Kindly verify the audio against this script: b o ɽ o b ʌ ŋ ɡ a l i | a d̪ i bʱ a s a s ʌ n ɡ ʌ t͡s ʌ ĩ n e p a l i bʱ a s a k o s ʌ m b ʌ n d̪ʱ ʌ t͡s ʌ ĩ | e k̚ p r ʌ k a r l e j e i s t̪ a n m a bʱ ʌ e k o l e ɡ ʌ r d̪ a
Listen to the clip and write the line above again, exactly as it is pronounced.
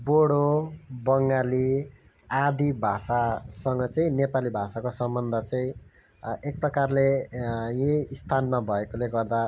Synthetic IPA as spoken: b o ɽ o b ʌ ŋ ɡ a l i | a d̪ i bʱ a s a s ʌ ŋ ɡ ʌ t͡s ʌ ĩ n e p a l i bʱ a s a k o s ʌ m b ʌ n d̪ʱ ʌ t͡s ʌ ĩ | e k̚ p r ʌ k a r l e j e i s t̪ʰ a n m a bʱ ʌ e k o l e ɡ ʌ r d̪ a